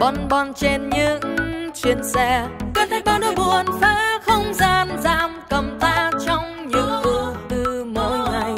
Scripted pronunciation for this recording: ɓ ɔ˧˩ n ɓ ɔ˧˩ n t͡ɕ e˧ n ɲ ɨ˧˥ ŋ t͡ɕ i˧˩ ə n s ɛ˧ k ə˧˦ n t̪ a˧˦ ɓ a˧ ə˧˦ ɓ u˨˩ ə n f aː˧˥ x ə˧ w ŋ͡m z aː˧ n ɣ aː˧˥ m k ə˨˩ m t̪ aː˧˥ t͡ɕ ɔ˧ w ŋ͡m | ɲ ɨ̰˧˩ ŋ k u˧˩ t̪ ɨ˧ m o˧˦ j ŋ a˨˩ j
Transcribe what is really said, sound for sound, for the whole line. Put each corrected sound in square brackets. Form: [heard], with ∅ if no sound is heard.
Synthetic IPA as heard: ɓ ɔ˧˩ n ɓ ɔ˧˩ n t͡ɕ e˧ n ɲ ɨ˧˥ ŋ t͡ɕ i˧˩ ə n s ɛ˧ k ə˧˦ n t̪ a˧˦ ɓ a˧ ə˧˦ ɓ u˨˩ ə n f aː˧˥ x ə˧ w ŋ͡m z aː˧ n [z] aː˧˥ m k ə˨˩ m t̪ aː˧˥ t͡ɕ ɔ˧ w ŋ͡m | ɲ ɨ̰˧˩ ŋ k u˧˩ t̪ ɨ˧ m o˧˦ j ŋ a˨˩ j